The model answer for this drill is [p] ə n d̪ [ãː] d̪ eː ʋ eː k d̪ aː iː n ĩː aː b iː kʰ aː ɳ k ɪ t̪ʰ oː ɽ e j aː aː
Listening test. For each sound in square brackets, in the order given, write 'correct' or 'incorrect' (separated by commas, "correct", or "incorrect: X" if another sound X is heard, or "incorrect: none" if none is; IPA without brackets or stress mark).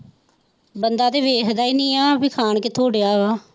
incorrect: b, incorrect: aː